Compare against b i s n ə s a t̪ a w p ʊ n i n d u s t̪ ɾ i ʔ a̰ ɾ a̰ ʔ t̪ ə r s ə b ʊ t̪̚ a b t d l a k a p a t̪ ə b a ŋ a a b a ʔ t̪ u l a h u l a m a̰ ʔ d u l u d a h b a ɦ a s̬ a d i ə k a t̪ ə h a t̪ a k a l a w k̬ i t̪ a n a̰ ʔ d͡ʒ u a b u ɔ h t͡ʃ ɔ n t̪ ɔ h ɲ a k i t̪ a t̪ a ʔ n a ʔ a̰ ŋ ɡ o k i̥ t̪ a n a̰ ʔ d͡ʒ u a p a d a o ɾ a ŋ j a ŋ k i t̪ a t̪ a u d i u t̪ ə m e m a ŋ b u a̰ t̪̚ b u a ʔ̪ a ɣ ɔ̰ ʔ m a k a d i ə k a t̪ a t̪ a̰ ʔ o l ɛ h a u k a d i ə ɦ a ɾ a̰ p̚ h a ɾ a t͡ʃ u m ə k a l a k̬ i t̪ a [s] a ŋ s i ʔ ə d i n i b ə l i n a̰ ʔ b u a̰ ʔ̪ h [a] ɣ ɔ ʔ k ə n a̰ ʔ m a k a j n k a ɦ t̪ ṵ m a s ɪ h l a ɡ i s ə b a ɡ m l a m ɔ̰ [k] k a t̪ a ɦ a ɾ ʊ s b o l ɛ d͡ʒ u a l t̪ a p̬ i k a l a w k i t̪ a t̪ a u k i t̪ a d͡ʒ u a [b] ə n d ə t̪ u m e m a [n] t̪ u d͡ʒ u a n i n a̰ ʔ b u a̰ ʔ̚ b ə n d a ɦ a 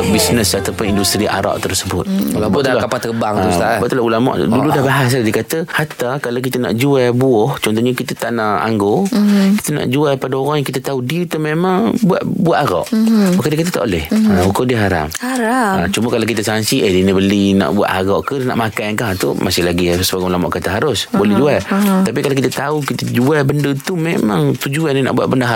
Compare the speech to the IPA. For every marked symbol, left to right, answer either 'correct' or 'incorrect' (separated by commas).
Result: correct, correct, incorrect, correct, incorrect